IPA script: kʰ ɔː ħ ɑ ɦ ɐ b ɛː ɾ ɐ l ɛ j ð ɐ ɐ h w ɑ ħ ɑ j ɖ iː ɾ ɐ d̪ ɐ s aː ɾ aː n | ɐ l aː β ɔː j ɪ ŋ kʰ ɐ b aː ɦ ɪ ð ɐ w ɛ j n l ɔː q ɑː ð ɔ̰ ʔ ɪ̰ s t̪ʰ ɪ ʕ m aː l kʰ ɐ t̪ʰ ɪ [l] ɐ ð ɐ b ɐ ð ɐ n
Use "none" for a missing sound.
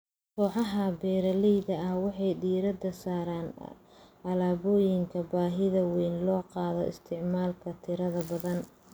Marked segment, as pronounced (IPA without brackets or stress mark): ɾ